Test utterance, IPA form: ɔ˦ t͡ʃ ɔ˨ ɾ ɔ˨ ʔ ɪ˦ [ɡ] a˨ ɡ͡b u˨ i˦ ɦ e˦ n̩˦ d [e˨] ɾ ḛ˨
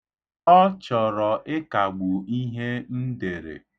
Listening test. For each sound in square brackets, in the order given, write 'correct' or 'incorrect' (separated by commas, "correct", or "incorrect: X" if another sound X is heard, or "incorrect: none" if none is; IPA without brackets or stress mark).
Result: incorrect: k, correct